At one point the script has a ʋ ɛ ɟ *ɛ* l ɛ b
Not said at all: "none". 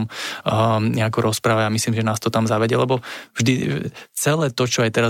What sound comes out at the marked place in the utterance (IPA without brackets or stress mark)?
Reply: ɛ